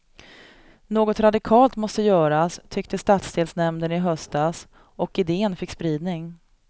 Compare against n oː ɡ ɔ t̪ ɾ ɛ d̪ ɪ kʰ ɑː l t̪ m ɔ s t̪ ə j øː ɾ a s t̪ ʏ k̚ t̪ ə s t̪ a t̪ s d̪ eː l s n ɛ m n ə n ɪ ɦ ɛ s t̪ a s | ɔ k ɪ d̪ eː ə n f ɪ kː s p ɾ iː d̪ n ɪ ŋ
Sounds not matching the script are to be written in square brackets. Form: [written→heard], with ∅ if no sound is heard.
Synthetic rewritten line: n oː ɡ ɔ t̪ ɾ [ɛ→a] d̪ ɪ kʰ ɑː l t̪ m ɔ s t̪ ə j [øː→œː] ɾ a s [t̪→t̪ʰ] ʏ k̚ t̪ ə s t̪ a t̪ s d̪ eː l s n ɛ m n ə n ɪ ɦ [ɛ→œ] s t̪ a s | ɔ k ɪ d̪ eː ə n f ɪ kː s p ɾ iː d̪ n ɪ ŋ

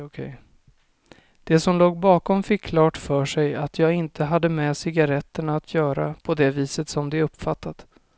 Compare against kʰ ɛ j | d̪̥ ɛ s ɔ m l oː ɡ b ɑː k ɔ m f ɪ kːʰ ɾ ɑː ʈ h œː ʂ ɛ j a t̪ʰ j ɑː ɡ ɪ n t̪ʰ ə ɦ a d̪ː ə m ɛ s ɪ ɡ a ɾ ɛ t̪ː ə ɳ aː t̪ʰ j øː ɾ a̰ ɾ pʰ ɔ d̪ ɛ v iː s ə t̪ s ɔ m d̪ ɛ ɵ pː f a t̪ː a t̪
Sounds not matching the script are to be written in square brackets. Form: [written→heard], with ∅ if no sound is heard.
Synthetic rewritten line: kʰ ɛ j | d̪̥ ɛ s ɔ m l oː ɡ b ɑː k ɔ m f ɪ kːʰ [ɾ→l] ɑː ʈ [h→f] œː ʂ ɛ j a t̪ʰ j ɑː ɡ ɪ n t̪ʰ ə ɦ a d̪ː ə m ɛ s ɪ ɡ a ɾ ɛ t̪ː ə ɳ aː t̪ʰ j [øː→œː] ɾ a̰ [ɾ→∅] pʰ ɔ d̪ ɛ v iː s ə t̪ s ɔ m d̪ ɛ ɵ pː f a t̪ː a t̪

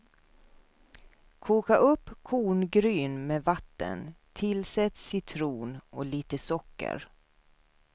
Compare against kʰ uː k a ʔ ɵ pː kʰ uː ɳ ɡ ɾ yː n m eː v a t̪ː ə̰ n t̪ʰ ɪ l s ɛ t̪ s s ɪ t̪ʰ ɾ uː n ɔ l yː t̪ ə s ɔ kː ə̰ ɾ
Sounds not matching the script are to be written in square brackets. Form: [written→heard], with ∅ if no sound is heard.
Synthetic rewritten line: kʰ uː k a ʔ ɵ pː kʰ uː ɳ ɡ ɾ yː n m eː v a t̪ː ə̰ n t̪ʰ ɪ l s ɛ t̪ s s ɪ t̪ʰ ɾ uː n ɔ l [yː→iː] t̪ ə s ɔ kː ə̰ ɾ

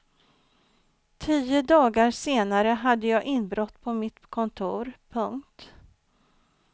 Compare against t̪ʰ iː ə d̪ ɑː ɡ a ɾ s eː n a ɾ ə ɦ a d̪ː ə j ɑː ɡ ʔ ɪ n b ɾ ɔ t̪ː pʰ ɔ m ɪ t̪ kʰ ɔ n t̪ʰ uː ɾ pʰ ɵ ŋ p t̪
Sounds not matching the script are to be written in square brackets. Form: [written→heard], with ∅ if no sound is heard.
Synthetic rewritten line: t̪ʰ iː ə d̪ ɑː ɡ a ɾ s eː n a ɾ ə ɦ a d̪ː ə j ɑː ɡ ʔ ɪ n b ɾ ɔ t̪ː pʰ ɔ m ɪ t̪ kʰ ɔ n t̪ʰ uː ɾ pʰ ɵ ŋ [p→k] t̪

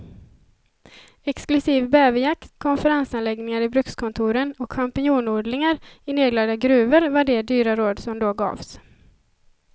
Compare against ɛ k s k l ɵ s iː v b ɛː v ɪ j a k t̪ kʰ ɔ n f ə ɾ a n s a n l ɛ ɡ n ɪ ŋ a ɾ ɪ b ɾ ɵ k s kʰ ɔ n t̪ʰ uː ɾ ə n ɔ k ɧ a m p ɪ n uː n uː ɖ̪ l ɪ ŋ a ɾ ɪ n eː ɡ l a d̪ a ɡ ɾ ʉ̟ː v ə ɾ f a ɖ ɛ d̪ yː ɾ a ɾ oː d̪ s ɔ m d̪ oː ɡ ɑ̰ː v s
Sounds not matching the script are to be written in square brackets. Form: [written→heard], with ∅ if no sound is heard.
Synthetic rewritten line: ɛ k s k l ɵ s iː v b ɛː v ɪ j a k t̪ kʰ ɔ n f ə ɾ a n s a n l ɛ ɡ n ɪ ŋ a ɾ ɪ b ɾ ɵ k s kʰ ɔ n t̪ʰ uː ɾ ə n ɔ k ɧ a m p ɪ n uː n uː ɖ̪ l ɪ ŋ a ɾ ɪ n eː ɡ l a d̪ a ɡ ɾ ʉ̟ː v ə ɾ [f→v] a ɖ ɛ d̪ yː ɾ a ɾ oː d̪ s ɔ m d̪ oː ɡ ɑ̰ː v s

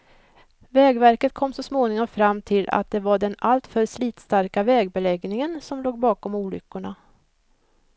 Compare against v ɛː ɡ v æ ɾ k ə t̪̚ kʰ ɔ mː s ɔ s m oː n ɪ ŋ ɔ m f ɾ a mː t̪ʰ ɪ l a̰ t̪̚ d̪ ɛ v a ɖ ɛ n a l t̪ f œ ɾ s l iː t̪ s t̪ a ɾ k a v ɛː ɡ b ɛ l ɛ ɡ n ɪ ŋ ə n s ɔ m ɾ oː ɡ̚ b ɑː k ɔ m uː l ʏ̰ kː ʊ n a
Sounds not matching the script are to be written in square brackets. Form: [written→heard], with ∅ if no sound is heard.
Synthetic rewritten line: v ɛː ɡ v æ ɾ k ə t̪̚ kʰ ɔ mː s ɔ s m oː n ɪ ŋ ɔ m f ɾ a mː t̪ʰ ɪ l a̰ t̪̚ d̪ ɛ v a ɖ ɛ n a l t̪ f œ ɾ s l iː t̪ s t̪ a ɾ k a v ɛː ɡ b ɛ l ɛ ɡ n ɪ ŋ ə n s ɔ m [ɾ→l] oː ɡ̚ b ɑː k ɔ m uː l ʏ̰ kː ʊ [n→ɳ] a

